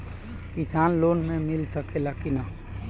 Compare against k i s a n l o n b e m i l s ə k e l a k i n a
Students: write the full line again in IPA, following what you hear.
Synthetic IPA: k i s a n l o n m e m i l s ə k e l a k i n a